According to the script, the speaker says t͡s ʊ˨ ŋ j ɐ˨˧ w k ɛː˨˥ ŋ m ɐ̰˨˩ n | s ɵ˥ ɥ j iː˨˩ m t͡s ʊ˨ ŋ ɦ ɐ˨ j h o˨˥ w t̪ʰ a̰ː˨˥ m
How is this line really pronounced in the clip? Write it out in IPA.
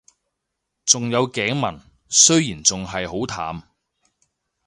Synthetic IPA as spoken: t͡s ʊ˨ ŋ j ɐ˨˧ w k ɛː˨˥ ŋ m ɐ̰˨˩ n | s ɵ˥ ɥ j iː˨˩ n t͡s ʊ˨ ŋ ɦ ɐ˨ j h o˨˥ w t̪ʰ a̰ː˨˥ m